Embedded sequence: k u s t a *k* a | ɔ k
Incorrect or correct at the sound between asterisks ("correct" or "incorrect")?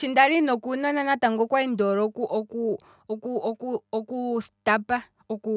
incorrect